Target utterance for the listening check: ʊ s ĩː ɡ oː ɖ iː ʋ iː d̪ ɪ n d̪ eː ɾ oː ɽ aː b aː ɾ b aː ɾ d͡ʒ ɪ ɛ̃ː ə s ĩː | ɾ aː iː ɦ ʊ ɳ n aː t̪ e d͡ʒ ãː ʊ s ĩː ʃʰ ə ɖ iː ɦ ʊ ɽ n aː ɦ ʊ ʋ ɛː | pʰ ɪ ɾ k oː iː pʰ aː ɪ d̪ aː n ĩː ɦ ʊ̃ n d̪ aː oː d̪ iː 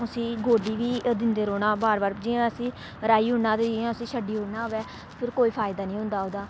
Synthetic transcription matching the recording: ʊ s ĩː ɡ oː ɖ iː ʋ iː d̪ ɪ n d̪ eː ɾ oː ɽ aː b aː ɾ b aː ɾ d͡ʒ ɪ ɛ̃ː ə s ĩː | ɾ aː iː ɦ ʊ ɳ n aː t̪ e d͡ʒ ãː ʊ s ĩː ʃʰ ə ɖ iː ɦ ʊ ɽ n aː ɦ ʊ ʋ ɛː | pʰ ɪ ɾ k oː iː pʰ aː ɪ d̪ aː n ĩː ɦ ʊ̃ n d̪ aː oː d̪ aː